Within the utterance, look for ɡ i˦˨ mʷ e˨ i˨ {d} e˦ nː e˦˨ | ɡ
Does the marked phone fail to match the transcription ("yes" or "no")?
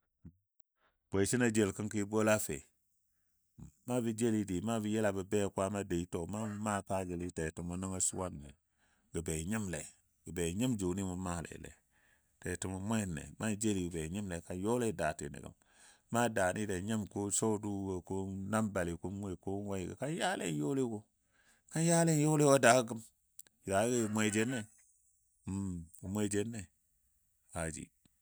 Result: yes